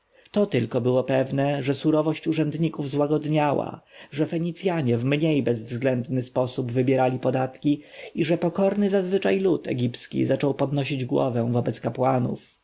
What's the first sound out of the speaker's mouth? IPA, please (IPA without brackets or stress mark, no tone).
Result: t̪